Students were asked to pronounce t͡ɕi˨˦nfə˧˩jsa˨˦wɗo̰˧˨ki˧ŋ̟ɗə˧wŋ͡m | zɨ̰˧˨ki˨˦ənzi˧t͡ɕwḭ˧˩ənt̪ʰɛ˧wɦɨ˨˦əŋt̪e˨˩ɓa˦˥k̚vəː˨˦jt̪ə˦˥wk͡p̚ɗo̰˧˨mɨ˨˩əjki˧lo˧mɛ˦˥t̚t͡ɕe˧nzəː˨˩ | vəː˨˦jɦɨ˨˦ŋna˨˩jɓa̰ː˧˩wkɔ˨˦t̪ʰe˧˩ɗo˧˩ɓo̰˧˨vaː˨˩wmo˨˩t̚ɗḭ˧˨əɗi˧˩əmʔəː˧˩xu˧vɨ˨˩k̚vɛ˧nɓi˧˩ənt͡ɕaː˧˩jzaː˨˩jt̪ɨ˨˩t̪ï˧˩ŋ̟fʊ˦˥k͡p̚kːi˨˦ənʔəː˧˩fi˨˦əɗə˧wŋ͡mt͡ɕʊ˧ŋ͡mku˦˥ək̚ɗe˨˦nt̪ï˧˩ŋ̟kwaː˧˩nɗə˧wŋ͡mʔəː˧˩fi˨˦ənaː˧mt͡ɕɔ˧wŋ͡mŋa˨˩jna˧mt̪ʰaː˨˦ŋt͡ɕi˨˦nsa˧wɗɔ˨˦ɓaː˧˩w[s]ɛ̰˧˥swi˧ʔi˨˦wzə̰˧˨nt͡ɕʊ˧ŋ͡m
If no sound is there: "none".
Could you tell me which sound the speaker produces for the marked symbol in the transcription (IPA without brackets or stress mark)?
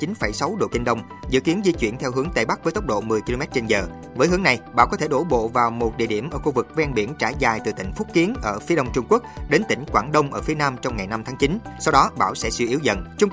s